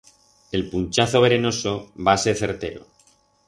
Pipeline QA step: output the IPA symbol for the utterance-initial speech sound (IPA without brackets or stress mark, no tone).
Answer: e̞